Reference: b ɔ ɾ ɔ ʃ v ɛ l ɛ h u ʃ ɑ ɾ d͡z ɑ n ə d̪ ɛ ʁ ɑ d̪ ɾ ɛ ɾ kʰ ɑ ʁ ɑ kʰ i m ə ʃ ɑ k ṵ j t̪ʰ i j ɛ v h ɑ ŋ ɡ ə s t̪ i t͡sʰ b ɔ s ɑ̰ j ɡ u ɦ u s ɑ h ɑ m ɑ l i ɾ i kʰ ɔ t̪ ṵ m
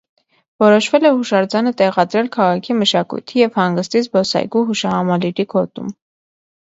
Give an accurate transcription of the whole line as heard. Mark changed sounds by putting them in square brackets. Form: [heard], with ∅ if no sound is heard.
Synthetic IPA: [v] ɔ ɾ ɔ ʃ v ɛ l ɛ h u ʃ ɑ ɾ d͡z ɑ n ə [t̪] ɛ ʁ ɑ d̪ ɾ ɛ [l] kʰ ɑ ʁ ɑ kʰ i m ə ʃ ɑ k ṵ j t̪ʰ i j ɛ v h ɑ ŋ ɡ ə s t̪ i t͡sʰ b ɔ s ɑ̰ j ɡ u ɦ u [ʃ] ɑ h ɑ m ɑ l i ɾ i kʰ ɔ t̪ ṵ m